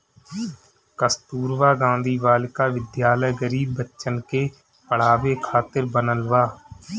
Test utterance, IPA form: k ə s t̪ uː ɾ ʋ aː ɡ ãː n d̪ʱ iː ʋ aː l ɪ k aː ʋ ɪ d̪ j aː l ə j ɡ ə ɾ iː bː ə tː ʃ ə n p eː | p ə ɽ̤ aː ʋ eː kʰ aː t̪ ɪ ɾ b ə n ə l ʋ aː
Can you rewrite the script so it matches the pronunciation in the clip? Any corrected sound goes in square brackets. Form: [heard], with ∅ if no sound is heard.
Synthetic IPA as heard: k ə s t̪ uː ɾ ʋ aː ɡ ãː n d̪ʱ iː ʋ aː l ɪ k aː ʋ ɪ d̪ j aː l ə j ɡ ə ɾ iː bː ə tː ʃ ə n [k] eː | p ə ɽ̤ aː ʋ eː kʰ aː t̪ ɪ ɾ b ə n ə l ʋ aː